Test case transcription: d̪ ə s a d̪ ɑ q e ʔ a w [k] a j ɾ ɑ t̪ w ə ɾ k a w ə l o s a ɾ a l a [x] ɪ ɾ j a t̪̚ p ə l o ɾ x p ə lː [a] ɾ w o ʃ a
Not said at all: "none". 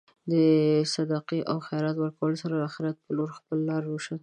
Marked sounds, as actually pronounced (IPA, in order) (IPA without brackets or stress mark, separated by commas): x, x, ɑ